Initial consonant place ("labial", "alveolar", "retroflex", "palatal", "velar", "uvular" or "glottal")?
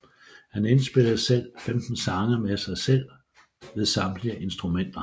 glottal